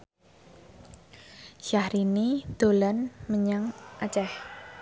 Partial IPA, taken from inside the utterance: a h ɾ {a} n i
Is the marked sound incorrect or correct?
incorrect